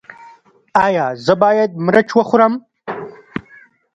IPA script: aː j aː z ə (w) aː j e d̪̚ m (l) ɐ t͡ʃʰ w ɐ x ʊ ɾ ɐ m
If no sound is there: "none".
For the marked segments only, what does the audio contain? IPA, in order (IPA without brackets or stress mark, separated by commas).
b, ɾ